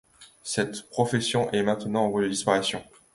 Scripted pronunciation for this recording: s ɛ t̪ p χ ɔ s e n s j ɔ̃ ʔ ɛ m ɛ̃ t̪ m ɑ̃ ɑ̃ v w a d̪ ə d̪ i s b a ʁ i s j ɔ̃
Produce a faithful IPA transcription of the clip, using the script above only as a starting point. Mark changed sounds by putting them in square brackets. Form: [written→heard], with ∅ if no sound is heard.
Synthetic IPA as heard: s ɛ t̪ p χ ɔ [s→f] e [n→∅] s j ɔ̃ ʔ ɛ m ɛ̃ t̪ [m→n] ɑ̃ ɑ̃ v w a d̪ ə d̪ i s [b→p] a ʁ i s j ɔ̃